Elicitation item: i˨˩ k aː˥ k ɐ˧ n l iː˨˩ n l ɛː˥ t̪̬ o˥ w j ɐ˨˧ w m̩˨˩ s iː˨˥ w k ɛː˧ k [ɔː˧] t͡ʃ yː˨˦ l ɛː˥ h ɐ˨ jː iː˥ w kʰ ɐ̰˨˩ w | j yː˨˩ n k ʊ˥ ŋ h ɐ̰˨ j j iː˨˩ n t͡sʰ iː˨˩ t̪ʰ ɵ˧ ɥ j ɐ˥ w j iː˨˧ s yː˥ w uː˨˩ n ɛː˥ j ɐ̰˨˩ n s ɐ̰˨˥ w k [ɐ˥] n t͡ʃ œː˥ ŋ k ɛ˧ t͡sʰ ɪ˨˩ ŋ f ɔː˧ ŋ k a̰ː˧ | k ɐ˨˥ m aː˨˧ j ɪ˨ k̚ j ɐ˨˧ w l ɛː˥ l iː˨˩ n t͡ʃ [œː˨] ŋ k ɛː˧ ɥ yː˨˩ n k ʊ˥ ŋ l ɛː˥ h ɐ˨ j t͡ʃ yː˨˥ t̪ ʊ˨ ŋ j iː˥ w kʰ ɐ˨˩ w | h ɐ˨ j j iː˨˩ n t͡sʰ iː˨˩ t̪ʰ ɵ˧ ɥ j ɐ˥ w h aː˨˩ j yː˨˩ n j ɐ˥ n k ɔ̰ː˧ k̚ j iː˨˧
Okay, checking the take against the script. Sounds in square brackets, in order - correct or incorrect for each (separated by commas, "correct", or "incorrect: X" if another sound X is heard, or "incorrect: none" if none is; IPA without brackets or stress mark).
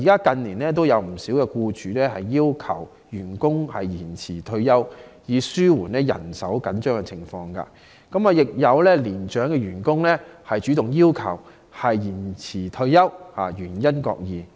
incorrect: uː˧, incorrect: ɐ˨˥, incorrect: œː˨˥